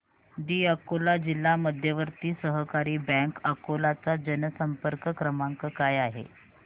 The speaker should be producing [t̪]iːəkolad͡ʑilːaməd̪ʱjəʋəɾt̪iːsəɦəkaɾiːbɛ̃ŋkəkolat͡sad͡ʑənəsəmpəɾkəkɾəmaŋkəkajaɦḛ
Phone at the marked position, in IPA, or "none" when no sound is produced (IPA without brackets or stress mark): d̪